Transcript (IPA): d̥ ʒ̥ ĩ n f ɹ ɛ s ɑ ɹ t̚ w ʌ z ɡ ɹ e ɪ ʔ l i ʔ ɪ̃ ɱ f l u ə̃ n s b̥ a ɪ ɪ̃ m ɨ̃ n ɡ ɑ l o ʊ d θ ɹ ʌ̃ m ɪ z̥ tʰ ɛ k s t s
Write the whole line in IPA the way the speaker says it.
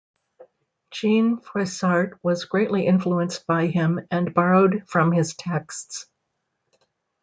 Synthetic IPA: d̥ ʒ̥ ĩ n f ɹ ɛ s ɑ ɹ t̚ w ʌ z ɡ ɹ e ɪ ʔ l i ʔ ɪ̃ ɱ f l u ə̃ n s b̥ a ɪ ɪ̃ m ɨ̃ n b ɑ ɹ o ʊ d f ɹ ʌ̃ m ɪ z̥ tʰ ɛ k s t s